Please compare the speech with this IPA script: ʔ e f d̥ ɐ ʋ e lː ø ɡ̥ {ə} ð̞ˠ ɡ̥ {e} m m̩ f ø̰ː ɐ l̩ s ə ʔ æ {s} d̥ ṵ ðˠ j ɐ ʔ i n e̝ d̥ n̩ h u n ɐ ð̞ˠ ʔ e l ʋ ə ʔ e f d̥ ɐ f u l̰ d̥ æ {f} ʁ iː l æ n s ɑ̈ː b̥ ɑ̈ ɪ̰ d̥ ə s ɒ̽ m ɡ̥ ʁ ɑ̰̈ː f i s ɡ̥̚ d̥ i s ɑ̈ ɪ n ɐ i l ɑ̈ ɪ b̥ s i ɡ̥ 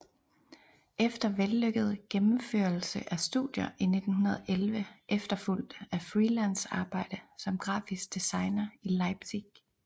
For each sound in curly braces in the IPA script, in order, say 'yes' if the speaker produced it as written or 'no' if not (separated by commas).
yes, yes, yes, yes